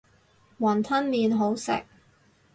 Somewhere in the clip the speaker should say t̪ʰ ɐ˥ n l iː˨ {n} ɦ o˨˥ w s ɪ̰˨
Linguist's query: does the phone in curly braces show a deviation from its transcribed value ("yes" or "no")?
no